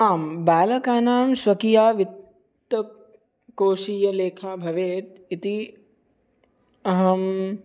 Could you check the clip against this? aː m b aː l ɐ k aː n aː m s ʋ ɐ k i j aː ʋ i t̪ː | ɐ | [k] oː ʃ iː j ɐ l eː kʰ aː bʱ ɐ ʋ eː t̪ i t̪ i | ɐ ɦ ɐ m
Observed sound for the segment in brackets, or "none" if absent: k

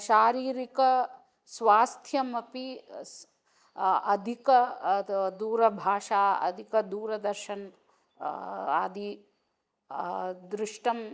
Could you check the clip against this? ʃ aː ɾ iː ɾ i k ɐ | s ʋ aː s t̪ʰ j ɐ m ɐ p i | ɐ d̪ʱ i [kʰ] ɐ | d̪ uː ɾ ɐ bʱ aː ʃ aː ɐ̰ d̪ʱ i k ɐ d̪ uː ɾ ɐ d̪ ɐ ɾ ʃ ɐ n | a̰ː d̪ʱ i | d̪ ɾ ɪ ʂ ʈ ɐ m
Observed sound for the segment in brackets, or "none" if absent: k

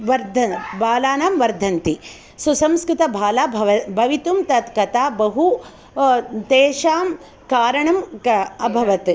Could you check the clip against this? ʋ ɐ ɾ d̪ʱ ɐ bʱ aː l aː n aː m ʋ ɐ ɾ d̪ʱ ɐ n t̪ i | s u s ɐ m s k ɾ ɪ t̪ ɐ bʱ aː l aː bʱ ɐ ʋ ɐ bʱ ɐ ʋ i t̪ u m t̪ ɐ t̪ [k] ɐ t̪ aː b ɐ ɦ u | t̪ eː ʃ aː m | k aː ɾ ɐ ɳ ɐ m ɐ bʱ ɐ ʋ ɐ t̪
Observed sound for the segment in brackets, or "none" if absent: k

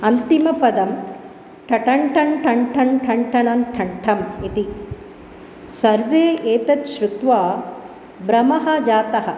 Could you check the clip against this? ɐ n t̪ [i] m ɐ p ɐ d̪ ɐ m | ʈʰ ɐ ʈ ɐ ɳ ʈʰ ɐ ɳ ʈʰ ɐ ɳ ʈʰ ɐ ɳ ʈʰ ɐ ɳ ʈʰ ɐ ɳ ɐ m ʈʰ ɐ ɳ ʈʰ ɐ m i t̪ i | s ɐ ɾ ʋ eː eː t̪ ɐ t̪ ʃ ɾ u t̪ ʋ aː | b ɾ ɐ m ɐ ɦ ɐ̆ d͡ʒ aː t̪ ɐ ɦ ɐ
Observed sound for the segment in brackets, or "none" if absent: i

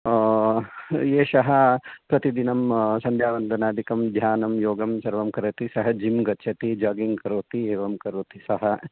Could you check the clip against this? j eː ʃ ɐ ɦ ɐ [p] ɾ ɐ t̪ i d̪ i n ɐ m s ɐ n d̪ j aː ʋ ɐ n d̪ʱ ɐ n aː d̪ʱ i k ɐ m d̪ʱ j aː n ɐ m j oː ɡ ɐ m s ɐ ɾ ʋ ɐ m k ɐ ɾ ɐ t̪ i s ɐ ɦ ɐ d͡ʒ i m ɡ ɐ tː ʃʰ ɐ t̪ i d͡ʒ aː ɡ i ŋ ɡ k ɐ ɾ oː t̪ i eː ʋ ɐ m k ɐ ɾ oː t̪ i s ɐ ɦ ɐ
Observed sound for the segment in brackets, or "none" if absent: p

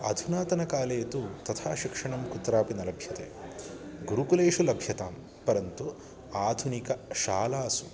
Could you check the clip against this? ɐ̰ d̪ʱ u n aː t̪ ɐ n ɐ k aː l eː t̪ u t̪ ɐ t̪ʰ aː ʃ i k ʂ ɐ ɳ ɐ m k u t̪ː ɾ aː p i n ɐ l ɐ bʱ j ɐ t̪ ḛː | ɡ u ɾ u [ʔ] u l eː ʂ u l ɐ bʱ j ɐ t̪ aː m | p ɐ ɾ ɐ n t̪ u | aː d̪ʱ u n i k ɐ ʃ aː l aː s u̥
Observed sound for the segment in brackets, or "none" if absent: k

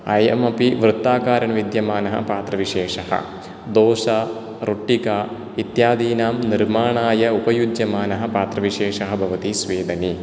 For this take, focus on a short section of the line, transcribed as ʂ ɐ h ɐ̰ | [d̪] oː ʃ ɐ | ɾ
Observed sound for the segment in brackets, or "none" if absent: d̪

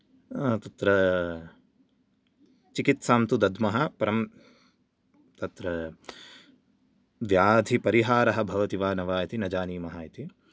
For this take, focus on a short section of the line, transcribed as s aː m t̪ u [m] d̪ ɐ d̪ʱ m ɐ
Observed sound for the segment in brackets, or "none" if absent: none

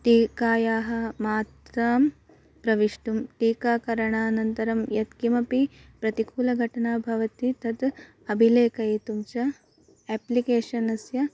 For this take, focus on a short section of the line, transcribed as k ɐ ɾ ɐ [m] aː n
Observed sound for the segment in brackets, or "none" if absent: ɳ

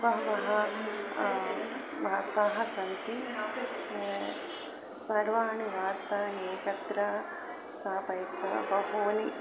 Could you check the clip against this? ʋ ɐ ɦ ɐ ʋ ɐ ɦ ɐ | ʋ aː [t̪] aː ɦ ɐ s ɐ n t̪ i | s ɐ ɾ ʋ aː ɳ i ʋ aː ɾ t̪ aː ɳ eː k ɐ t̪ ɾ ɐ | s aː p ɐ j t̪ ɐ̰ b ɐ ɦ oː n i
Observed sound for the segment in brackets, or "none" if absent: t̪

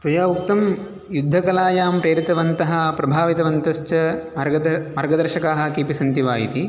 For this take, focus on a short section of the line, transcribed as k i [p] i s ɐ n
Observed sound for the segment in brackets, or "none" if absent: p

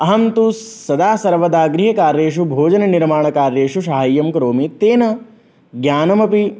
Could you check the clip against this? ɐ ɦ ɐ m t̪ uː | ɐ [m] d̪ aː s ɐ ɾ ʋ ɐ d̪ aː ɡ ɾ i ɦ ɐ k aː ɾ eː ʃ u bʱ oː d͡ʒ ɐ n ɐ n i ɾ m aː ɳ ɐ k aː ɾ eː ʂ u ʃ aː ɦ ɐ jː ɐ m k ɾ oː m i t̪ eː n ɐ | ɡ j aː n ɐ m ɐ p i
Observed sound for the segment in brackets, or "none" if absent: none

